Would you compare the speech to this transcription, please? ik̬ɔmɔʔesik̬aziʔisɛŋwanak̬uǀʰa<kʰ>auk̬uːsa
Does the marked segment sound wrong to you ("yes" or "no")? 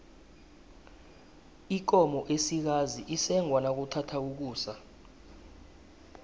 yes